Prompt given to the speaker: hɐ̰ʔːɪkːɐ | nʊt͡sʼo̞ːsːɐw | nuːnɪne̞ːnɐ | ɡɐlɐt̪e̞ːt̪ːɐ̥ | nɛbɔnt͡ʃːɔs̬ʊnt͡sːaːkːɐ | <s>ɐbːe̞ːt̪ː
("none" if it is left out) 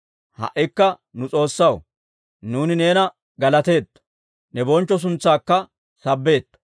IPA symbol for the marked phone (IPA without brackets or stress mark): s